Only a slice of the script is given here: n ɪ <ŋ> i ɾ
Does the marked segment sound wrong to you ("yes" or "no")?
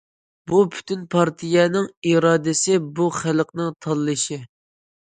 no